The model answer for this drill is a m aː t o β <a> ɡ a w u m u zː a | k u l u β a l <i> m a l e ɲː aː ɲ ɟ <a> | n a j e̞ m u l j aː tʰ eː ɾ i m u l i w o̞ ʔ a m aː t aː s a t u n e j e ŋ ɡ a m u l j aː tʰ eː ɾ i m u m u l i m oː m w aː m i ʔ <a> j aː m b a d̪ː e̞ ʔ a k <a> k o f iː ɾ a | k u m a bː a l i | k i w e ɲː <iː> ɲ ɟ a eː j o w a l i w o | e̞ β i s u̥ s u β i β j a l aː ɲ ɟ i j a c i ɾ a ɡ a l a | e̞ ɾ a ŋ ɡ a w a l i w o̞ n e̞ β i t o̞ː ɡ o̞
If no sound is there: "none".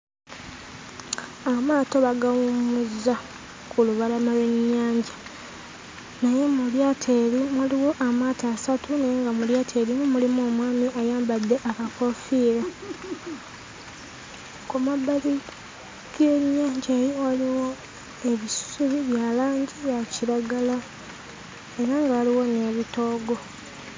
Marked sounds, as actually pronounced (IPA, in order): a, a, a, a, a, aː

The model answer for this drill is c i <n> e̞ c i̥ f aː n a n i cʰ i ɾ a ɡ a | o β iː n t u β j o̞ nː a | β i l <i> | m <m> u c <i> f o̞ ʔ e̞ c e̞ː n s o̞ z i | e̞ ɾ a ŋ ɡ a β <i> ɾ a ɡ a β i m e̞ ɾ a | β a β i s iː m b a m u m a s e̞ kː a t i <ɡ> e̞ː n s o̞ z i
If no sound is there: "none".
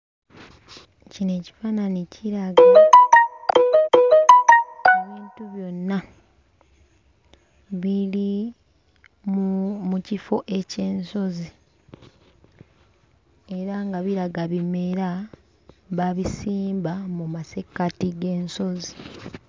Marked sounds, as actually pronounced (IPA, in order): n, i, m, i, i, ɡ

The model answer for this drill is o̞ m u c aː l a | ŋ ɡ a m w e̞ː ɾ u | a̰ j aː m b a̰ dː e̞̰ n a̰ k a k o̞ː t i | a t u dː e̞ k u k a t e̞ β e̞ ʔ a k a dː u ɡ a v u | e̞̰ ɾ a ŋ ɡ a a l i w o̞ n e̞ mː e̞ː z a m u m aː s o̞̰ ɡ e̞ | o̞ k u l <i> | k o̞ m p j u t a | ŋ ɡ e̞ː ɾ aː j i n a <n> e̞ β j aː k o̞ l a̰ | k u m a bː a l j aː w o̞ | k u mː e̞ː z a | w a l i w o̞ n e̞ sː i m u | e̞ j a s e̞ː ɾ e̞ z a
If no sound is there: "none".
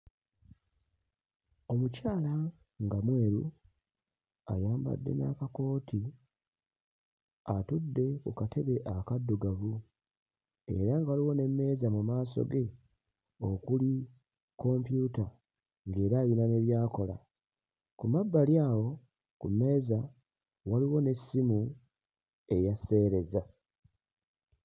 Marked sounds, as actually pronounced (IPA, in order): i, n

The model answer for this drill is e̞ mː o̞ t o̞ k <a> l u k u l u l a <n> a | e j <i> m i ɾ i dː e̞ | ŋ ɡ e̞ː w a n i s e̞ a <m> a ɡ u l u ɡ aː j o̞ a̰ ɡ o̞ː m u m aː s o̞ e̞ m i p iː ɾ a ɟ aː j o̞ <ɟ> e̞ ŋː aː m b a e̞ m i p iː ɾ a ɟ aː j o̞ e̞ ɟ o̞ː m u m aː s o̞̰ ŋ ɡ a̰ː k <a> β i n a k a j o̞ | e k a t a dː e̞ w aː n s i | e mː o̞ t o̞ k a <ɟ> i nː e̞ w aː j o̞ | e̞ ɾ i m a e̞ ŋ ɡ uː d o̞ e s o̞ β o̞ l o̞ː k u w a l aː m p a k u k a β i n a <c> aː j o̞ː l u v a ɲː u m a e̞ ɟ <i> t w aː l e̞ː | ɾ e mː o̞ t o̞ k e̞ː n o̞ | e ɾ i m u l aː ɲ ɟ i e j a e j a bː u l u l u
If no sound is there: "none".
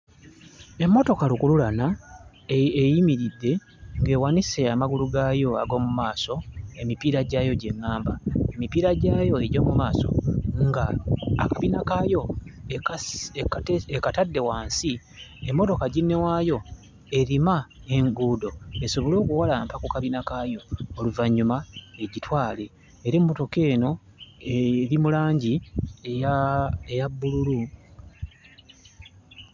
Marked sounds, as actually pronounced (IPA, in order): a, n, i, m, ɟ, a, ɟ, k, i

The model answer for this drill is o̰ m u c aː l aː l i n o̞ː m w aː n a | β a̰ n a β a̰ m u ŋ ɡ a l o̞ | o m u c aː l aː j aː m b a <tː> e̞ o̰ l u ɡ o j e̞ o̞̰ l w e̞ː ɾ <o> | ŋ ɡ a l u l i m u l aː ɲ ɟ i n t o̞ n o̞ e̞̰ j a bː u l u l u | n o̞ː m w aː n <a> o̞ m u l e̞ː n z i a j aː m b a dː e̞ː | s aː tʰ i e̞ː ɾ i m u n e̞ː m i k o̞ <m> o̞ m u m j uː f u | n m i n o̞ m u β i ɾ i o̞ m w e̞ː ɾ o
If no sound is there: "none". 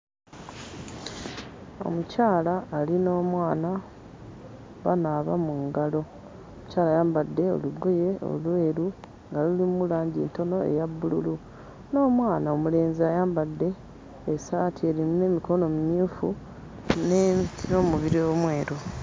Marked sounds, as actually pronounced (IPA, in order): dː, u, a, n

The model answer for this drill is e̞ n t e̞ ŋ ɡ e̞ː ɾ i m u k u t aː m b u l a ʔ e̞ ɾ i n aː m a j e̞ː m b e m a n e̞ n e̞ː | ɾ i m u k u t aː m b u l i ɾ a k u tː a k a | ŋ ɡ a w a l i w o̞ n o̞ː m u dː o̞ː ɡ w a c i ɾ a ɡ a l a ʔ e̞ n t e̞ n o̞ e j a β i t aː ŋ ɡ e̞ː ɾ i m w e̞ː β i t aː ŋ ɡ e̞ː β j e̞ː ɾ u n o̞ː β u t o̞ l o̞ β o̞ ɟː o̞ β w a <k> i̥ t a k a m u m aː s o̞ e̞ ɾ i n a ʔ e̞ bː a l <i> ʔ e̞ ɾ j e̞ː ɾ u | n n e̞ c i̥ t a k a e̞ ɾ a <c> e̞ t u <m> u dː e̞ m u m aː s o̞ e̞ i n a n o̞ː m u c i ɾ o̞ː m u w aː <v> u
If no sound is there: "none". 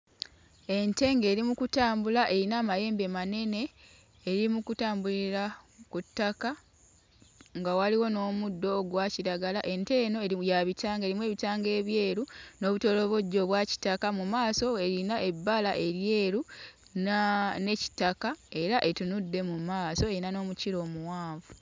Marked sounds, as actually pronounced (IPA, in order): c, a, ʔ, n, v

